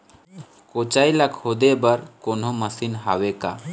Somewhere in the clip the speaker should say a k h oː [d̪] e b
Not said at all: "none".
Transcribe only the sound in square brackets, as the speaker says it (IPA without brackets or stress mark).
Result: d̪